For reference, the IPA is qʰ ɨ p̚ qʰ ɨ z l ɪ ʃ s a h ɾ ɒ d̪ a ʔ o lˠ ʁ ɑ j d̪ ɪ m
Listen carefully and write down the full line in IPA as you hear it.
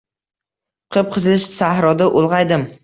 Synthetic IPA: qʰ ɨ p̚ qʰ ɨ z l ɪ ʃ s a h ɾ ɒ d̪ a ʔ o lˠ ʁ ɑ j d̪ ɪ m